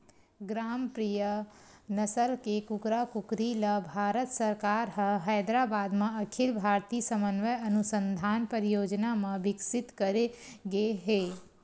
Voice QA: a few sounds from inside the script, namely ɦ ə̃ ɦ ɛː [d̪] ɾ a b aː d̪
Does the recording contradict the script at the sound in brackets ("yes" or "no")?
no